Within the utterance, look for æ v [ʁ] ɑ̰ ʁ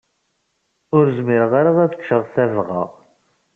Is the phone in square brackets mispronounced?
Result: no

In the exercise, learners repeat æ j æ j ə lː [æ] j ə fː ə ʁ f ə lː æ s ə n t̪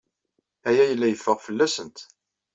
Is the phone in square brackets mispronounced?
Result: no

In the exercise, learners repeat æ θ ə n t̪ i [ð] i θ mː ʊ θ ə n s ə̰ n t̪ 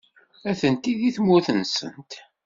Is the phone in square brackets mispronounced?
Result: no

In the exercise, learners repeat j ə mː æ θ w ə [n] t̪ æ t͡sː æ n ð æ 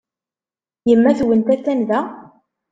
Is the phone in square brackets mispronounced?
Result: no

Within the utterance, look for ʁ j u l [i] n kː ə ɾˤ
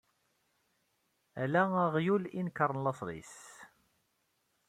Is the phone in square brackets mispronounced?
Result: no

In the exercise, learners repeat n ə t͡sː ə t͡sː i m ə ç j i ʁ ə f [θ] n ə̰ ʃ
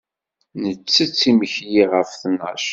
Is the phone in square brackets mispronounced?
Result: no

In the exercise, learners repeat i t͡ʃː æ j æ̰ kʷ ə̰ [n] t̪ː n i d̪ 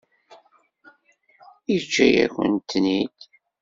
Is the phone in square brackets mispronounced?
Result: no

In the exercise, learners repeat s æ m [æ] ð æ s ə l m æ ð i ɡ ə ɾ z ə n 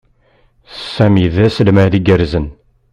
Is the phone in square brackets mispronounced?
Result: yes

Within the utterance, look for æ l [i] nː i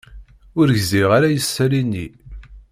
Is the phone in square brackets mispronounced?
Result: no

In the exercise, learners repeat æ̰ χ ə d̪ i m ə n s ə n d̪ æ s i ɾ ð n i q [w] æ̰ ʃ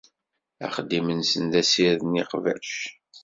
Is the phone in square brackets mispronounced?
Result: yes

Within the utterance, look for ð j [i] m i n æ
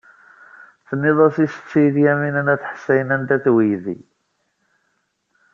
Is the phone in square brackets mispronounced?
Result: yes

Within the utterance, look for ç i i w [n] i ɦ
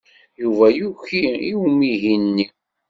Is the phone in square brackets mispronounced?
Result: yes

